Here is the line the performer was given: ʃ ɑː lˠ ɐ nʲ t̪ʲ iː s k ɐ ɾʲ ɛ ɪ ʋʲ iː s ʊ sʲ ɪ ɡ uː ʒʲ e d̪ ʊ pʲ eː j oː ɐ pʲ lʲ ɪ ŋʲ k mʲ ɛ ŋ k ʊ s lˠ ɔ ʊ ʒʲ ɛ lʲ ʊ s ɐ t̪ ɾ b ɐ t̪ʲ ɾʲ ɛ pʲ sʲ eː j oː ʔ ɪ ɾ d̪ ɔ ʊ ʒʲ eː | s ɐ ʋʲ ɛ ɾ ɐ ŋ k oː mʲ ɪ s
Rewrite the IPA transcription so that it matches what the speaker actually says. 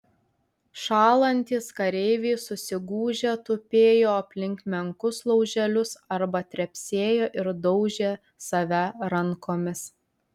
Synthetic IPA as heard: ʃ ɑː lˠ ɐ nʲ t̪ʲ iː s k ɐ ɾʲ ɛ ɪ ʋʲ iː s ʊ sʲ ɪ ɡ uː ʒʲ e t̪ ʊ pʲ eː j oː ɐ pʲ lʲ ɪ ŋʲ k mʲ ɛ ŋ k ʊ s lˠ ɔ ʊ ʒʲ ɛ lʲ ʊ s ɐ ɾ b ɐ t̪ʲ ɾʲ ɛ pʲ sʲ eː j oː ʔ ɪ ɾ d̪ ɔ ʊ ʒʲ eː | s ɐ ʋʲ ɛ ɾ ɐ ŋ k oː mʲ ɪ s

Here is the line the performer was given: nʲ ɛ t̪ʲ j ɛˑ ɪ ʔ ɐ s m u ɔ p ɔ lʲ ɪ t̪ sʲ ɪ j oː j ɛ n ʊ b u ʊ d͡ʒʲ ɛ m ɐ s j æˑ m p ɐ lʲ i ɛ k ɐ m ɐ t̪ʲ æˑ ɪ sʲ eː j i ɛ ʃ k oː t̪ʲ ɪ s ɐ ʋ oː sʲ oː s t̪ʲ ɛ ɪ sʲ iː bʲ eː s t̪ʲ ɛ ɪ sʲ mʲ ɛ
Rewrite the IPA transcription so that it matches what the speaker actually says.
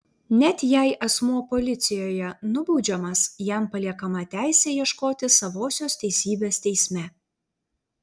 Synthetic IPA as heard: nʲ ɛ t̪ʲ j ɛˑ ɪ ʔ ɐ s m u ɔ p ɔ lʲ ɪ t̪ sʲ ɪ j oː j ɛ n ʊ b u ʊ d͡ʒʲ ɛ m ɐ s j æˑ m p ɐ lʲ i ɛ k ɐ m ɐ t̪ʲ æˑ ɪ sʲ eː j i ɛ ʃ k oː t̪ʲ ɪ s ɐ ʋ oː sʲ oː s t̪ʲ ɛ ɪ sʲ iː bʲ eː s t̪ʲ ɛ ɪ sʲ mʲ ɛ

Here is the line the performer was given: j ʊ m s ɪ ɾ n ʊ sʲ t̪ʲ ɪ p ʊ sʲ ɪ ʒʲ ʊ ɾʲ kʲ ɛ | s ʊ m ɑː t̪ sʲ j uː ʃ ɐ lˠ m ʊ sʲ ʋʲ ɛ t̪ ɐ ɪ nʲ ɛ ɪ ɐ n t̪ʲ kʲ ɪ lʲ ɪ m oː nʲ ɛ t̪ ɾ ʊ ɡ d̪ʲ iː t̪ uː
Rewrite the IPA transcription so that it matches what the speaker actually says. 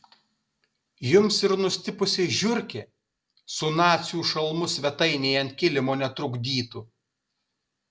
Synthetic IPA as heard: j ʊ m s ɪ ɾ n ʊ sʲ t̪ʲ ɪ p ʊ sʲ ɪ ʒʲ ʊ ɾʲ kʲ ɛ | s ʊ n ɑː t̪ sʲ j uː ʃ ɐ lˠ m ʊ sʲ ʋʲ ɛ t̪ ɐ ɪ nʲ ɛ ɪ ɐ n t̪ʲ kʲ ɪ lʲ ɪ m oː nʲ ɛ t̪ ɾ ʊ ɡ d̪ʲ iː t̪ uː

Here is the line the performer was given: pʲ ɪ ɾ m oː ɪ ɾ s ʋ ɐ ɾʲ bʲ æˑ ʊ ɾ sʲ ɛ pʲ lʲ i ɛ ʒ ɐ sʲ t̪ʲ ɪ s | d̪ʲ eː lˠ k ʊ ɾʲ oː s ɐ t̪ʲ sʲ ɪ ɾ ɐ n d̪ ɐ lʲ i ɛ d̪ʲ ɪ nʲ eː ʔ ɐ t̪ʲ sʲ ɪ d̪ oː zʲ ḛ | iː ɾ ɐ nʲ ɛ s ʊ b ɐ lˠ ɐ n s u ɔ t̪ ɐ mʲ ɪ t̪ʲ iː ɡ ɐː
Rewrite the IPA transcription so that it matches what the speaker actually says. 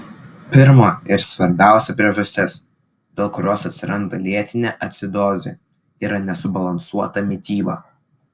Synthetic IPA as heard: pʲ ɪ ɾ m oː ɪ ɾ s ʋ ɐ ɾʲ bʲ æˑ ʊ sʲ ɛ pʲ ɾʲ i ɛ ʒ ɐ sʲ t̪ʲ ɪ s | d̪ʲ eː lˠ k ʊ ɾʲ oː s ɐ t̪ʲ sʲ ɪ ɾ ɐ n d̪ ɐ lʲ i ɛ t̪ʲ ɪ nʲ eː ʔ ɐ t̪ʲ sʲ ɪ d̪ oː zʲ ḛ | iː ɾ ɐ nʲ ɛ s ʊ b ɐ lˠ ɐ n s u ɔ t̪ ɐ mʲ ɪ t̪ʲ iː b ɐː

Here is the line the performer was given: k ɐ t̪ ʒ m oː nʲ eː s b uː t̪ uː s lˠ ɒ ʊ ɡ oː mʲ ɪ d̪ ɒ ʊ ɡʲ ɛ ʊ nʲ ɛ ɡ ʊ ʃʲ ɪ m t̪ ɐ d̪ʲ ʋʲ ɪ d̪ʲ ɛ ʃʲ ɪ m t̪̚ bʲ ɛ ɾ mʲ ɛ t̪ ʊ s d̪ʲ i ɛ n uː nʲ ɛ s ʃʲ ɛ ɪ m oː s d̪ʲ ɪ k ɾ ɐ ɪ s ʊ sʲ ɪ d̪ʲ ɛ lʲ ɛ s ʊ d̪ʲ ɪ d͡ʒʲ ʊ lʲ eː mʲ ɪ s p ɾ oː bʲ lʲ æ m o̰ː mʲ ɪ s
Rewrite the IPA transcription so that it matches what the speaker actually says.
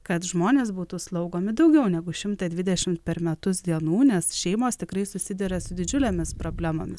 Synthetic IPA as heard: k ɐ t̪ ʒ m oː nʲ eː s b uː t̪ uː s lˠ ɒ ʊ ɡ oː mʲ ɪ d̪ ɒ ʊ ɡʲ ɛ ʊ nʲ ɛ ɡ ʊ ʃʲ ɪ m t̪ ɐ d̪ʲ ʋʲ ɪ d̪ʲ ɛ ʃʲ ɪ m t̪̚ pʲ ɛ ɾ mʲ ɛ t̪ ʊ s d̪ʲ i ɛ n uː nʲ ɛ s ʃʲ ɛ ɪ m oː s t̪ʲ ɪ k ɾ ɐ ɪ s ʊ sʲ ɪ d̪ʲ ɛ ɾʲ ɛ s ʊ d̪ʲ ɪ d͡ʒʲ ʊ lʲ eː mʲ ɪ s p ɾ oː bʲ lʲ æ m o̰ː mʲ ɪ s

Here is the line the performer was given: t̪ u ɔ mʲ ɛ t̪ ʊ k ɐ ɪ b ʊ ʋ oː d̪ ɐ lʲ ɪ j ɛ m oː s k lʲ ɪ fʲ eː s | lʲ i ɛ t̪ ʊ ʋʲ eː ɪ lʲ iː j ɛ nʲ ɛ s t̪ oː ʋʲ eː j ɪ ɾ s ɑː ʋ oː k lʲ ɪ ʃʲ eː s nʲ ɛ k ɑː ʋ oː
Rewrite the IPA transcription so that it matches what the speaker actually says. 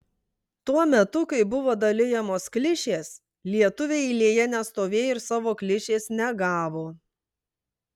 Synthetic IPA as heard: t̪ u ɔ mʲ ɛ t̪ ʊ k ɐ ɪ b ʊ ʋ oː d̪ ɐ lʲ ɪ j ɛ m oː s k lʲ ɪ ʃʲ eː s | lʲ i ɛ t̪ ʊ ʋʲ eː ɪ lʲ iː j ɛ nʲ ɛ s t̪ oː ʋʲ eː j ɪ ɾ s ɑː ʋ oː k lʲ ɪ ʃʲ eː s nʲ ɛ ɡ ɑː ʋ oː

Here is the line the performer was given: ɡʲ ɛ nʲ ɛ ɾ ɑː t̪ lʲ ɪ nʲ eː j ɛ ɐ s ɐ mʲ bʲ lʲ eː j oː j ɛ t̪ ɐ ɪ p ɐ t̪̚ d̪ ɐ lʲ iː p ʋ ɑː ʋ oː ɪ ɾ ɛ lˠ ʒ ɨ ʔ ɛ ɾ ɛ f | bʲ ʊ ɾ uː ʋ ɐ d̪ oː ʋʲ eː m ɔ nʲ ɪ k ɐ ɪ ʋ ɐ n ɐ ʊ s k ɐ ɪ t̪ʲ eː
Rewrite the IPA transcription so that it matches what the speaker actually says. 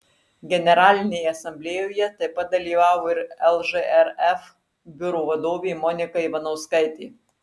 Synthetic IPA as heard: ɡʲ ɛ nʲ ɛ ɾ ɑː lʲ ɪ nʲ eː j ɛ ɐ s ɐ mʲ bʲ lʲ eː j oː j ɛ t̪ ɐ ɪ p ɐ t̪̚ d̪ ɐ lʲ iː ʋ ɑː ʋ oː ɪ ɾ ɛ lˠ ʒ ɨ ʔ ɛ ɾ ɛ f | bʲ ʊ ɾ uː ʋ ɐ d̪ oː ʋʲ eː m ɔ nʲ ɪ k ɐ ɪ ʋ ɐ n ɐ ʊ s k ɐ ɪ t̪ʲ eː

